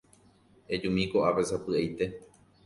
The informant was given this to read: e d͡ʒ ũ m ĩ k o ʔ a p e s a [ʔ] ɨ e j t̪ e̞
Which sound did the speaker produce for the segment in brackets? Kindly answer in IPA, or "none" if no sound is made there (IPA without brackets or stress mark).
p